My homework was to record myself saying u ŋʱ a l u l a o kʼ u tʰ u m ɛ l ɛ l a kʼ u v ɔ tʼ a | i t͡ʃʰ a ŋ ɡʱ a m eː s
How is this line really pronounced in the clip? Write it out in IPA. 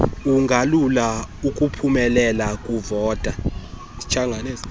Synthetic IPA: u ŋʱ a l u l a u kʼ u pʰ u m ɛ l ɛ l a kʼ u v ɔː tʼ a | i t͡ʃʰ a ŋ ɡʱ a n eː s